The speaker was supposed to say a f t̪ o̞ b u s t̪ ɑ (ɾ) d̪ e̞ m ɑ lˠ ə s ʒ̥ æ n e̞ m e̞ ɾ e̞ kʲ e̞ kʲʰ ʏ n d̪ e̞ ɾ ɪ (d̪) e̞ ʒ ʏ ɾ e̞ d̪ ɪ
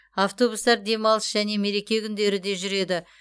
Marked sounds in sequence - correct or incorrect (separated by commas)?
correct, correct